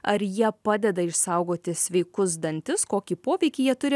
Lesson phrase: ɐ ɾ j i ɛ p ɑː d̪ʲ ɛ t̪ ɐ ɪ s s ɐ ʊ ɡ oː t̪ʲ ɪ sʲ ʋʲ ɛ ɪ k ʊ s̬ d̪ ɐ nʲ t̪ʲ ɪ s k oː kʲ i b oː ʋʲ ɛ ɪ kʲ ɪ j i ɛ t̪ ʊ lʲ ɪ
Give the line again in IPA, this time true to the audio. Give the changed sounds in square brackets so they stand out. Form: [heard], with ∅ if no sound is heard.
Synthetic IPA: ɐ ɾ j i ɛ p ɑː d̪ʲ ɛ [d̪] ɐ ɪ [ʃ] s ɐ ʊ ɡ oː t̪ʲ ɪ sʲ ʋʲ ɛ ɪ k ʊ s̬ d̪ ɐ nʲ t̪ʲ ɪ s k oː kʲ i [p] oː ʋʲ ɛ ɪ kʲ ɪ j i ɛ t̪ ʊ [ɾʲ] ɪ